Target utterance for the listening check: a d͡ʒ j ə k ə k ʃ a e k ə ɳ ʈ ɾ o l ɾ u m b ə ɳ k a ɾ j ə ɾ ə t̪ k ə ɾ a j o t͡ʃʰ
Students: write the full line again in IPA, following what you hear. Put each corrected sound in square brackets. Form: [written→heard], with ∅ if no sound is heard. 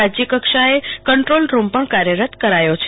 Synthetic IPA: a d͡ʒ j ə k ə k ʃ a e k ə ɳ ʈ ɾ o l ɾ u m [b→p] ə ɳ k a ɾ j ə ɾ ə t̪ k ə ɾ a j o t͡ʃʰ